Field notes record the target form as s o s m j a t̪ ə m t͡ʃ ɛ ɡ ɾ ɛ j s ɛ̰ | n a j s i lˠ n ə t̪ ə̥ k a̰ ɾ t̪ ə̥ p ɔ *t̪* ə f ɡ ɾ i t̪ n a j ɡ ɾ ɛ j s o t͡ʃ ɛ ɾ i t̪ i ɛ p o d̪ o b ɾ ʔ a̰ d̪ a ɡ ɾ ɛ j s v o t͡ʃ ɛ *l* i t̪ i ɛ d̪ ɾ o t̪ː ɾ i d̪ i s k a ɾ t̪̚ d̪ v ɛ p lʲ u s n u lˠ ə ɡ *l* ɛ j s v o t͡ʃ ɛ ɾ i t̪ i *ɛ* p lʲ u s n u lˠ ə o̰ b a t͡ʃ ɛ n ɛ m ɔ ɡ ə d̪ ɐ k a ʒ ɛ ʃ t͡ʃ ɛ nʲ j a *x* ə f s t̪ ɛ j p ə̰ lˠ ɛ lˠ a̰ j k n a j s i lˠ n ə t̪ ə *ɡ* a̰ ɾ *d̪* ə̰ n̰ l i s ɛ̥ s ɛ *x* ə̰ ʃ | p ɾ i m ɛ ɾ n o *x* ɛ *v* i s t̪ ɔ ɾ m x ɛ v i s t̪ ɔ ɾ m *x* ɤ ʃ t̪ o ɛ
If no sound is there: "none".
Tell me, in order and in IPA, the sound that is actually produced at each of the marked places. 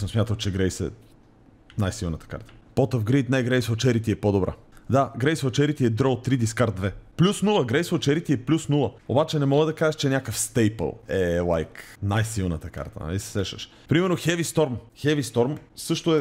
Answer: t̪, ɾ, ɾ, ɛ, k, k, t̪, ʃ, x, v, s

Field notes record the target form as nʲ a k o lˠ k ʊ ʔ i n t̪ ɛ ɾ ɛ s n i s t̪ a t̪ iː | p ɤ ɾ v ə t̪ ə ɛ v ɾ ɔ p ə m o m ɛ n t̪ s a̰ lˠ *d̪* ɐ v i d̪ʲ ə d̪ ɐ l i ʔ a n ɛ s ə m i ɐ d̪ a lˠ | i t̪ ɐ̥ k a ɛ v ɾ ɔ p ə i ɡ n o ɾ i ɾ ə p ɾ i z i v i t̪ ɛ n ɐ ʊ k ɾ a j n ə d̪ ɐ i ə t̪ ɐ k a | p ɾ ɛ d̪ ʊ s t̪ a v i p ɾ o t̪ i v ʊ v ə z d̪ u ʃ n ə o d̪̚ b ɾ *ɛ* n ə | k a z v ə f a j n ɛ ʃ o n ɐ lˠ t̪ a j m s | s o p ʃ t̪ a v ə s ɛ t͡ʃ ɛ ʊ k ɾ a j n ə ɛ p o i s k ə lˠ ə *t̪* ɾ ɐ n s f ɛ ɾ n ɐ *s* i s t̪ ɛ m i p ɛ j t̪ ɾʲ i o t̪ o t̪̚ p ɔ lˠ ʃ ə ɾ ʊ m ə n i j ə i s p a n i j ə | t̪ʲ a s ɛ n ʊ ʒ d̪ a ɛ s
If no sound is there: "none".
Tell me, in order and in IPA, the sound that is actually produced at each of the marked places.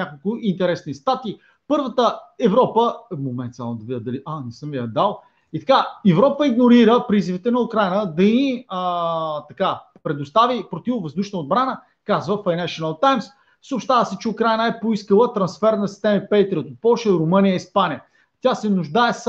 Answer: d̪, a, t̪, s

